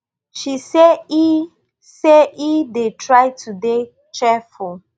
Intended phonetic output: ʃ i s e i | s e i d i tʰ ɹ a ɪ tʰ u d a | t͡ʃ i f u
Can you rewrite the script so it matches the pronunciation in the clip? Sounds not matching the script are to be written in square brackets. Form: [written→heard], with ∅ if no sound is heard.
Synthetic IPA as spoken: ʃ i s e i | s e i d [i→e] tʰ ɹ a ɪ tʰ u d [a→e] | t͡ʃ [i→ɛ] f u

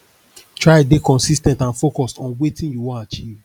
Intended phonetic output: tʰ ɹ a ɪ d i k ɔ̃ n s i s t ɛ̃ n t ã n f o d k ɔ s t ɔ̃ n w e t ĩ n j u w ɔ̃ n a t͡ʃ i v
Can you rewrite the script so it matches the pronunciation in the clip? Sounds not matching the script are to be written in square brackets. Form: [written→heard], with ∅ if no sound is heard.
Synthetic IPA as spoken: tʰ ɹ a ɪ d [i→e] k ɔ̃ n s i s t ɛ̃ n t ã n f o [d→∅] k ɔ s t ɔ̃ n w e t ĩ n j u w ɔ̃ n a t͡ʃ i v

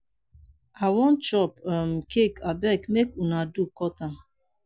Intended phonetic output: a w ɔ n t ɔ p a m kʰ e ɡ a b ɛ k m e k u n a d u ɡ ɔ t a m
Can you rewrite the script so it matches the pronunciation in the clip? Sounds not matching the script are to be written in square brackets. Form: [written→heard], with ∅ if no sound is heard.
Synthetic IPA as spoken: a w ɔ n [t→t͡ʃ] ɔ p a m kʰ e [ɡ→k] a b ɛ k m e k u n a d u [ɡ→k] ɔ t a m

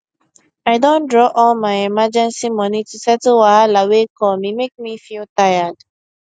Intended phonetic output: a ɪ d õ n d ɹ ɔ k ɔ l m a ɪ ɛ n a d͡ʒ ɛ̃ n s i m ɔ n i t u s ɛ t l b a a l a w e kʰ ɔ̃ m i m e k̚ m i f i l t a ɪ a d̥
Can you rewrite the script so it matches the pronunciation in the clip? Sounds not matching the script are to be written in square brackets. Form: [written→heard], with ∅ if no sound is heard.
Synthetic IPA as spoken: a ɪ d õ n d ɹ ɔ [k→ʔ] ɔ l m a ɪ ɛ [n→m] a d͡ʒ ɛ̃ n s i m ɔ n i t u s ɛ t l [b→w] a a l a w e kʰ [ɔ̃→ɔ] m i m e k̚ m i f i l t a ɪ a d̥

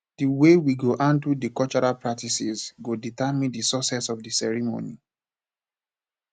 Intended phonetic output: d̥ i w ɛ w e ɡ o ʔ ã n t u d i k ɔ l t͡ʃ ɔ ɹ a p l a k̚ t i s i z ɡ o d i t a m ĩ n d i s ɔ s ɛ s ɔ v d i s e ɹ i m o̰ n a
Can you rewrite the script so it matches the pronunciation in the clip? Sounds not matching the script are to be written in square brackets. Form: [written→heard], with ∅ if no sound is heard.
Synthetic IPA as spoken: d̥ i w [ɛ→e] w [e→i] ɡ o ʔ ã n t u d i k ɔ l t͡ʃ ɔ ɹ a p [l→ɹ] a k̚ t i s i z ɡ o d i t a m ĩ n d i s ɔ s ɛ s ɔ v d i s [e→ɛ] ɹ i m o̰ n [a→i]

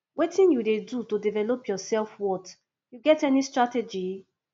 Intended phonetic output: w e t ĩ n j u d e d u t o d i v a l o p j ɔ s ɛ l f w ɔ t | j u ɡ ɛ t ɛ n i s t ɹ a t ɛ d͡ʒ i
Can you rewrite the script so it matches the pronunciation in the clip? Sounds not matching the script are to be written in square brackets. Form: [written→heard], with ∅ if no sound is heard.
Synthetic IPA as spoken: w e t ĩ n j u d e d u t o d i v [a→ɛ] l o p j ɔ s ɛ l f w ɔ t | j u ɡ ɛ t ɛ n i s t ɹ a t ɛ d͡ʒ i

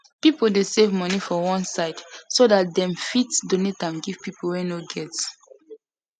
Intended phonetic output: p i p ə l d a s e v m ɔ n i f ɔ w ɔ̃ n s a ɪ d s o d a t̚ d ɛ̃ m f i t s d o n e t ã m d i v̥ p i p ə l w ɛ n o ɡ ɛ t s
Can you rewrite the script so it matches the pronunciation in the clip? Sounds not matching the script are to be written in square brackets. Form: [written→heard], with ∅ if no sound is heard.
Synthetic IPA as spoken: p i p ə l d [a→e] s e v m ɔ n i f ɔ w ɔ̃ n s a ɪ d s o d a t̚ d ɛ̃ m f i t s d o n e t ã m [d→ɡ] i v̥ p i p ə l w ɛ n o ɡ ɛ t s

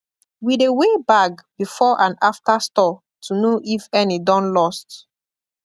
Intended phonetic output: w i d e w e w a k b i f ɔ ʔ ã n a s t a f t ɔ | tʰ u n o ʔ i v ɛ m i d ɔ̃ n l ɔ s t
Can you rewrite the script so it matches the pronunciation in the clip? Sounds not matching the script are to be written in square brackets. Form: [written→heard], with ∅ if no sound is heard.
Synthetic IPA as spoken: w i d e w e [w→b] a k b i f ɔ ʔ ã n a [s→f] t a [f→s] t ɔ | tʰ u n o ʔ i [v→f] ɛ [m→n] i d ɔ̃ n l ɔ s t

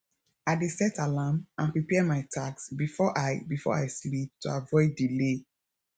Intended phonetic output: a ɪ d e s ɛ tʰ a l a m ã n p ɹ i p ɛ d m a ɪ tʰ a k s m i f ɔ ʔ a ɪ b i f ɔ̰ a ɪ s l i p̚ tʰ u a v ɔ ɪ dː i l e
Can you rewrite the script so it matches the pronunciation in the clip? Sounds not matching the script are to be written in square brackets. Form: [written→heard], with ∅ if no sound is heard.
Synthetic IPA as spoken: a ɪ d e s ɛ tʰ a l a m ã n p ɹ i p ɛ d m a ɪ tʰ a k s [m→b] i f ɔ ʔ a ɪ b i f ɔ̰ a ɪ s l i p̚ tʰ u a v ɔ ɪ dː i l e

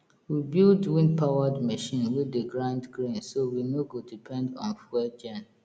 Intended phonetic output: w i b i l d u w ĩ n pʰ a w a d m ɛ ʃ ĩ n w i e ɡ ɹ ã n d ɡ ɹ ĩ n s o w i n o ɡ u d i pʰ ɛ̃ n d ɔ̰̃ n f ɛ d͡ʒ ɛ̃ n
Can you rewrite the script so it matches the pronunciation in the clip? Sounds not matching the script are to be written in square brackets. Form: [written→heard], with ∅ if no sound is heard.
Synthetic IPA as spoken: w i b i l d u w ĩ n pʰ a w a d m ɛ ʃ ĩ n w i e ɡ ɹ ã n d ɡ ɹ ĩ n s o w i n o ɡ [u→o] d i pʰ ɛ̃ n d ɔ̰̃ n f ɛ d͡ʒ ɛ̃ n

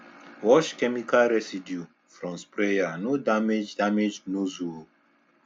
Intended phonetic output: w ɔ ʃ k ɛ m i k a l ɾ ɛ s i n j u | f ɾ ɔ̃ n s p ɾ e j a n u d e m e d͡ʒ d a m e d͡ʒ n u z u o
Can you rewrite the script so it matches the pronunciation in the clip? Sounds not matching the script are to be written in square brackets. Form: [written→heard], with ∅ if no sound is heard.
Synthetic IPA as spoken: w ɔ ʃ k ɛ m i k a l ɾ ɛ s i [n→d] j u | f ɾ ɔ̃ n s p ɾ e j a n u d [e→a] m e d͡ʒ d a m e d͡ʒ n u z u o

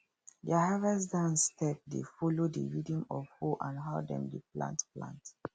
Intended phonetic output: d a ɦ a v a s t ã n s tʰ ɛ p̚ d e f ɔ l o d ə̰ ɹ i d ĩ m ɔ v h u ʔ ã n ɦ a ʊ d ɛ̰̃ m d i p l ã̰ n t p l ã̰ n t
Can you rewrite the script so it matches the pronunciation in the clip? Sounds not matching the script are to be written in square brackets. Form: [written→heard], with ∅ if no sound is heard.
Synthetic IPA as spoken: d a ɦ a v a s [t→d] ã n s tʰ ɛ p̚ d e f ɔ l o d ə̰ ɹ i d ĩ m ɔ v h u ʔ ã n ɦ a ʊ d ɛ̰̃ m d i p l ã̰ n t p l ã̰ n t

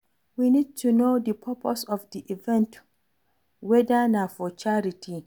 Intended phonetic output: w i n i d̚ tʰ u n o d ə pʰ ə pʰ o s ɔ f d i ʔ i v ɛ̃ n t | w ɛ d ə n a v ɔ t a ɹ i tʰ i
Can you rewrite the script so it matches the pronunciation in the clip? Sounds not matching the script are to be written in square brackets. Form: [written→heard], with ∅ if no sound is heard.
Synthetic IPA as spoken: w i n i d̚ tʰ u n o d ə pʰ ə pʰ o s ɔ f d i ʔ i v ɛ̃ n t | w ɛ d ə n a [v→f] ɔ [t→t͡ʃ] a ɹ i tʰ i

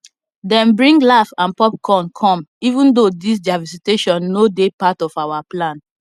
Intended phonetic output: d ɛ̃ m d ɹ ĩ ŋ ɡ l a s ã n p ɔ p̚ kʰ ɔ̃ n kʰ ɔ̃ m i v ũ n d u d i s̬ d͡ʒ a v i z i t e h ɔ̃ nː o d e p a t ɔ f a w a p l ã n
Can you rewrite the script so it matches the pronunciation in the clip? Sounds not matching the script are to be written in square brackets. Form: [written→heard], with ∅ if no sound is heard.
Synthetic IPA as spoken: d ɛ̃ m [d→b] ɹ ĩ ŋ ɡ l a [s→f] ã n p ɔ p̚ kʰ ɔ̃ n kʰ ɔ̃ m i v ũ n d [u→o] d i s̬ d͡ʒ a v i [z→s] i t e [h→ʃ] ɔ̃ nː o d e p a t ɔ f a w a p l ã n

